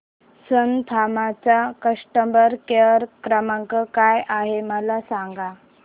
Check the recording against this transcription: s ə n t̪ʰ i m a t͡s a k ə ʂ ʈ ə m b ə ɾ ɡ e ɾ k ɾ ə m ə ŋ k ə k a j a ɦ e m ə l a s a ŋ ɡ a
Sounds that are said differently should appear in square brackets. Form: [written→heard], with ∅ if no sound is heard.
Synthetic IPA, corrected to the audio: s ə n t̪ʰ [i→a] m a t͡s a k ə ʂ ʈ ə m b ə ɾ [ɡ→k] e ɾ k ɾ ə m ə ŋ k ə k a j a ɦ e m ə l a s a ŋ ɡ a